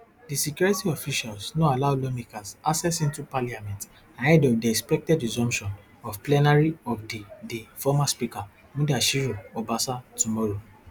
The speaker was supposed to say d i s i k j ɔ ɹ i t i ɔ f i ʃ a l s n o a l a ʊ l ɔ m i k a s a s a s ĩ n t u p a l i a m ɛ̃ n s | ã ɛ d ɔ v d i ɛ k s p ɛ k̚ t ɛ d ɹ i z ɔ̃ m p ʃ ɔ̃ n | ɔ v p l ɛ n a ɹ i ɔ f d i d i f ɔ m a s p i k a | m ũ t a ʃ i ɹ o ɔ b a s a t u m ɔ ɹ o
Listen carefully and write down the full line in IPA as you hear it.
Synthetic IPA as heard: d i s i k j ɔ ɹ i t i ɔ f i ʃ a l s n o a l a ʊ l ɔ m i k a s a s ɛ s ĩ n t u p a l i a m ɛ̃ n t | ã ɛ d ɔ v d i ɛ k s p ɛ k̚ t ɛ d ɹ i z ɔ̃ m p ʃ ɔ̃ n | ɔ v p l ɛ n a ɹ i ɔ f d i d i f ɔ m a s p i k a | m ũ d a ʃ i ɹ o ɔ b a s a t u m ɔ ɹ o